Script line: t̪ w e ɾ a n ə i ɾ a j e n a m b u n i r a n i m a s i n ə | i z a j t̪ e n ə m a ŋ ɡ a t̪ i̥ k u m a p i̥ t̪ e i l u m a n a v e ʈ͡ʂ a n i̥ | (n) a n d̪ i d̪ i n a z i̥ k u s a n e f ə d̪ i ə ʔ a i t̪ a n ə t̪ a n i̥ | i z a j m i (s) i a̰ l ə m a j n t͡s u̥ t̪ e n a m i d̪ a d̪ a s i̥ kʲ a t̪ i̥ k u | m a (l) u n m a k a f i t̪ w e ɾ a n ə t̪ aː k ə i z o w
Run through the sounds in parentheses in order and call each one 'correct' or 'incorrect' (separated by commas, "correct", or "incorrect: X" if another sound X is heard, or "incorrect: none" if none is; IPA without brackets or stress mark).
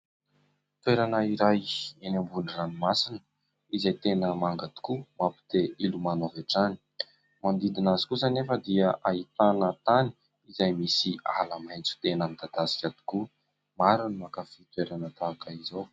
incorrect: m, correct, incorrect: ɾ